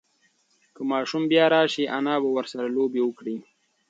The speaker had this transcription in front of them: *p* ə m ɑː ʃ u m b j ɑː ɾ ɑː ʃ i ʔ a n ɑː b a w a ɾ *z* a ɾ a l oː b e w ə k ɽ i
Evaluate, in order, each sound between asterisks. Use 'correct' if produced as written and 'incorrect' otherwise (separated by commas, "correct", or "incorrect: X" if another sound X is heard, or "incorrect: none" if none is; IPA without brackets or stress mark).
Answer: incorrect: k, incorrect: s